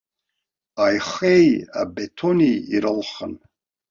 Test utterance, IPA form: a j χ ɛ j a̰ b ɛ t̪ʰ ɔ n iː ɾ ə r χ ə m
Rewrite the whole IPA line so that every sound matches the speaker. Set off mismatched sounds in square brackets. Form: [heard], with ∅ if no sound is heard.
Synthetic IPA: a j χ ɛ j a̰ b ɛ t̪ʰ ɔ n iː ɾ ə [l] χ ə [n]